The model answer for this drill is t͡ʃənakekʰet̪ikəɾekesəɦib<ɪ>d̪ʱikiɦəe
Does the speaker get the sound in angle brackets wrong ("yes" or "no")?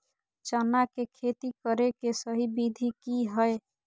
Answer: yes